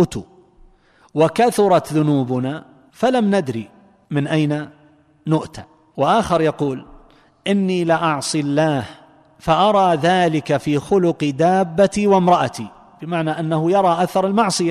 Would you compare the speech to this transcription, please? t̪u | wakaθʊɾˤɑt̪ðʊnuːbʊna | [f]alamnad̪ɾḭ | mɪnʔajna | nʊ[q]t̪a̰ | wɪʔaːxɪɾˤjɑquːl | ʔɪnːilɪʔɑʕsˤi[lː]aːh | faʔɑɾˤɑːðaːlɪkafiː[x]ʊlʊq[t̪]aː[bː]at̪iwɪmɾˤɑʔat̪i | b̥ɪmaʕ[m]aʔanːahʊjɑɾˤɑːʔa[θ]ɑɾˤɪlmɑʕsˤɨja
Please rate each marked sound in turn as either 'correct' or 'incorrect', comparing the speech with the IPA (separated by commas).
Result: correct, incorrect, correct, correct, incorrect, correct, incorrect, correct